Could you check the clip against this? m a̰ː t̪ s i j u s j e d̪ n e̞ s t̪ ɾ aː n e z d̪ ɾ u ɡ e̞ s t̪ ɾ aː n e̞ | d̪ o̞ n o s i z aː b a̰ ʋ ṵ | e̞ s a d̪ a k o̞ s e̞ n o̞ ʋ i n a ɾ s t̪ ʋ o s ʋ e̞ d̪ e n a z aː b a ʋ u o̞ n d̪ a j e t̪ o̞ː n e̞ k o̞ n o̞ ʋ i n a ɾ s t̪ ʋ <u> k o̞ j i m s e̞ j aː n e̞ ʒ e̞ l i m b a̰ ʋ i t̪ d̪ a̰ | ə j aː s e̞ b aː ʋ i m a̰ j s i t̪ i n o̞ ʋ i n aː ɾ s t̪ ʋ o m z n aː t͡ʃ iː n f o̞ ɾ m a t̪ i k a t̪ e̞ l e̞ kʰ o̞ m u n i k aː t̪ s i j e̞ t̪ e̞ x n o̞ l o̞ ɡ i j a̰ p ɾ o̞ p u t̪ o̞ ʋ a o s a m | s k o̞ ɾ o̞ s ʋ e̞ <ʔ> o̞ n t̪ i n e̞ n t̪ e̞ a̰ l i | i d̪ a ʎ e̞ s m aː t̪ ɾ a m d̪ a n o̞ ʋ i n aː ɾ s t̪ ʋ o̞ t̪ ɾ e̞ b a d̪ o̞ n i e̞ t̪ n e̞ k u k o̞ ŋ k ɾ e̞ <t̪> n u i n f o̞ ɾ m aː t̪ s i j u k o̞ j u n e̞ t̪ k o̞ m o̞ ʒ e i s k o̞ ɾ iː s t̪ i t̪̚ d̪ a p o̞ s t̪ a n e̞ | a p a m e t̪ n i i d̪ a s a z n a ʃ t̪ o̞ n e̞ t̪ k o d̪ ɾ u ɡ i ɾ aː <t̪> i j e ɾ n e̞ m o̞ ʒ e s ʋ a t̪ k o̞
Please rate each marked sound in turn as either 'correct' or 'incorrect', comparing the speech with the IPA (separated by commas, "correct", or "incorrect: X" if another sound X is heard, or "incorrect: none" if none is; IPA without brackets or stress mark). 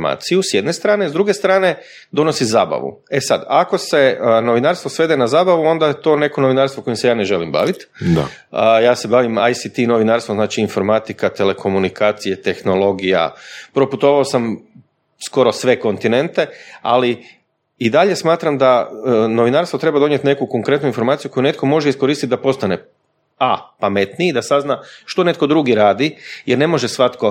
incorrect: o, incorrect: k, correct, incorrect: d̪